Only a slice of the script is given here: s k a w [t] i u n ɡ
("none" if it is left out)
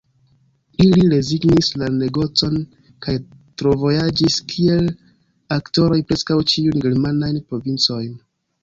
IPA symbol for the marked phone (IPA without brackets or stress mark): t͡ʃ